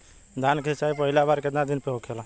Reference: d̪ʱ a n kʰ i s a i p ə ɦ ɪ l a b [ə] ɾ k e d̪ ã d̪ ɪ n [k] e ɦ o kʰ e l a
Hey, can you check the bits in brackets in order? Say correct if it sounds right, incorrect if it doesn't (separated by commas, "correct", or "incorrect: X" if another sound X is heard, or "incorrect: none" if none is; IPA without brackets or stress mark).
incorrect: a, incorrect: p